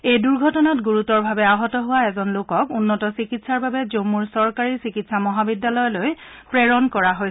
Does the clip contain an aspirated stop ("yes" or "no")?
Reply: no